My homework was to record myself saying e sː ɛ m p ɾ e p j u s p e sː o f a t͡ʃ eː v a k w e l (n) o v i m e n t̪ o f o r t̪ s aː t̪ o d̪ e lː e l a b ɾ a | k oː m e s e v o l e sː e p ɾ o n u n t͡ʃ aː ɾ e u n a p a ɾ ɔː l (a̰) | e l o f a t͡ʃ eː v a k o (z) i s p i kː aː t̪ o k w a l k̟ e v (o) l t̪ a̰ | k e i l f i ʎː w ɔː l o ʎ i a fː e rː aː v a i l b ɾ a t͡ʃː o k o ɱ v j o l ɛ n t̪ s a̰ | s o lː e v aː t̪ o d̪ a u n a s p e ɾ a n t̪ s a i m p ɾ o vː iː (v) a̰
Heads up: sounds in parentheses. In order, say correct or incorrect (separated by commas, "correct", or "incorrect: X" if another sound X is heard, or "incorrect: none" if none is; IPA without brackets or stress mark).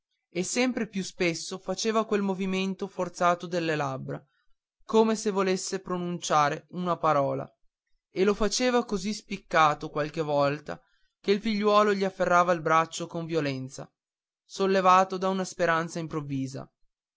incorrect: m, correct, correct, incorrect: ɔ, incorrect: z